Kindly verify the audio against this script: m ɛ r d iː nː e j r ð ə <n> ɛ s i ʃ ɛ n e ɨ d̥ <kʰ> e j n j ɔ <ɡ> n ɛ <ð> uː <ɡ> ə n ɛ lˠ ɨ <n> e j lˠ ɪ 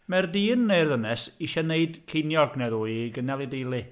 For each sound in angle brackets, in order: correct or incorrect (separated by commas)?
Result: correct, correct, correct, correct, correct, incorrect